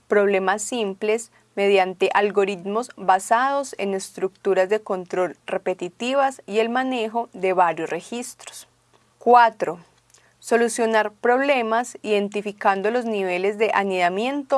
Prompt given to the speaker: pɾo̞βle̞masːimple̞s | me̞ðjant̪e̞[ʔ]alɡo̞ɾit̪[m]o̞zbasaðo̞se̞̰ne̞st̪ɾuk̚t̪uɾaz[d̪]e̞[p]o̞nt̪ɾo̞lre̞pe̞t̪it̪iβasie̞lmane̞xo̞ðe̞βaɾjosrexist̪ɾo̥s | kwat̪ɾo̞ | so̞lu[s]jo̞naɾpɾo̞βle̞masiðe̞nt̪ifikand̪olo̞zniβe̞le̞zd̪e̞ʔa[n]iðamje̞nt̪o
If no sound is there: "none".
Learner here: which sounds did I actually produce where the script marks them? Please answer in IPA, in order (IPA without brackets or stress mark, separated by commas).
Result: ʔ, m, d̪, k, s, n